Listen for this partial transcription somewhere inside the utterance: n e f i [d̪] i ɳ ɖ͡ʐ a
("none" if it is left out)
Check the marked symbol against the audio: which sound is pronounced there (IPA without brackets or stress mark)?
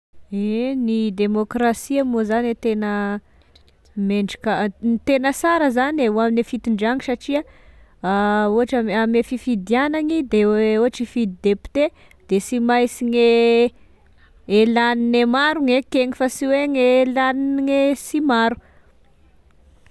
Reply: t̪